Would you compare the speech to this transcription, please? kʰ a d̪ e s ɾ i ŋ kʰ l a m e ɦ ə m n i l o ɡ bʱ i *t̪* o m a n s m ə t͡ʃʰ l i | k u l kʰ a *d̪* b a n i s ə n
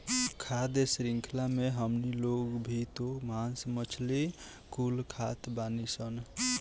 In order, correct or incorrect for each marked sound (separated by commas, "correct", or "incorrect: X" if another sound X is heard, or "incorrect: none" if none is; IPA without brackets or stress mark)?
correct, incorrect: t̪